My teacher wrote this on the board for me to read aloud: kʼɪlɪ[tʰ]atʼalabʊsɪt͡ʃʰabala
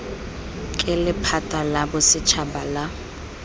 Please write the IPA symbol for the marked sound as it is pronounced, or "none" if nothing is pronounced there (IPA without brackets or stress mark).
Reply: pʰ